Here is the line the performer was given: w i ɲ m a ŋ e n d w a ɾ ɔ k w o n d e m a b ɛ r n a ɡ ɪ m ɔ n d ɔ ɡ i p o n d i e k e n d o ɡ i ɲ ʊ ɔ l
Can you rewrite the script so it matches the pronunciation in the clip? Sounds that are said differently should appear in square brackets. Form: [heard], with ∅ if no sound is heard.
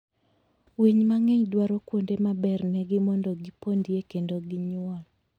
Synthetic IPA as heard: w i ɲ m a ŋ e [ɲ] d w a ɾ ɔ k w o n d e m a b ɛ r n [ɛ] ɡ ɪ m ɔ n d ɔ ɡ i p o n d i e k e n d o ɡ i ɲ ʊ ɔ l